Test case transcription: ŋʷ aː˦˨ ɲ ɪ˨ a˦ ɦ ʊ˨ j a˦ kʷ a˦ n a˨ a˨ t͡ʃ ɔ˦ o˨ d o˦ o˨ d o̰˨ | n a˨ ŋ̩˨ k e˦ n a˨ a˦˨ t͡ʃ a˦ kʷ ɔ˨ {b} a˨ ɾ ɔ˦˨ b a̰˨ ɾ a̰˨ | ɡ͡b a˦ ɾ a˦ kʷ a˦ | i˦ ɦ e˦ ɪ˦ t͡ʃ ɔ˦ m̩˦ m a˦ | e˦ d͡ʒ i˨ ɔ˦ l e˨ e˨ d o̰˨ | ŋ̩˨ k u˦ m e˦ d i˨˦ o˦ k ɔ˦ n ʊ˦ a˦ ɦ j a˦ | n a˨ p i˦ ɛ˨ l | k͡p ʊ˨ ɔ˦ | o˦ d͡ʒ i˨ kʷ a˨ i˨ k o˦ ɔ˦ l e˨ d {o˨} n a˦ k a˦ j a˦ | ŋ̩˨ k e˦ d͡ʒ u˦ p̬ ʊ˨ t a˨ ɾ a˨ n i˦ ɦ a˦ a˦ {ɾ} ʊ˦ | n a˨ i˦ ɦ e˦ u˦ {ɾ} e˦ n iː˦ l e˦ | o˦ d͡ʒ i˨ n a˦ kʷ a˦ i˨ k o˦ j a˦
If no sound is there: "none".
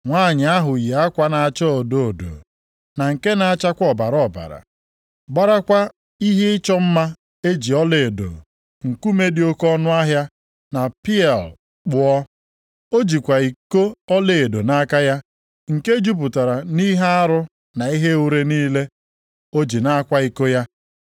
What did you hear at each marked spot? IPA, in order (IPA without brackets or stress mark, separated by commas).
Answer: b, o˨, ɾ, ɾ